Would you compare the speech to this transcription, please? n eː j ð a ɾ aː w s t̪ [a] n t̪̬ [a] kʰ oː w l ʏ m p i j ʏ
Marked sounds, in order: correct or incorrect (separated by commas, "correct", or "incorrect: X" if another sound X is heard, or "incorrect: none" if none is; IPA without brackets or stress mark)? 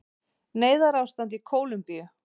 correct, incorrect: i